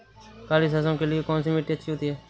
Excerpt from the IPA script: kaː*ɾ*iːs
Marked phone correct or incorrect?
incorrect